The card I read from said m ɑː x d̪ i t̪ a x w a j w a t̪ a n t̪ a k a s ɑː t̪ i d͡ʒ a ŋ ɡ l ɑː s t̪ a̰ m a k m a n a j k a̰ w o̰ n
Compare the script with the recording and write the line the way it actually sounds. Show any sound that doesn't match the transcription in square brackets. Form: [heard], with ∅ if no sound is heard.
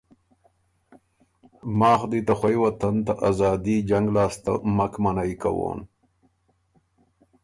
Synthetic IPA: m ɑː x d̪ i t̪ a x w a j w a t̪ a n t̪ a [ʔ] a [z] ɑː [d̪] i d͡ʒ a ŋ ɡ l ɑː s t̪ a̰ m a k m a n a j k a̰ w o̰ n